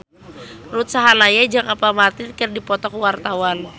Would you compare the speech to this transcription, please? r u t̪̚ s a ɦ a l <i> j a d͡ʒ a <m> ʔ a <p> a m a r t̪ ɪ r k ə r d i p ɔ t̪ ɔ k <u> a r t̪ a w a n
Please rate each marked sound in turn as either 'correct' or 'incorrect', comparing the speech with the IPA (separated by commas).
incorrect, incorrect, correct, incorrect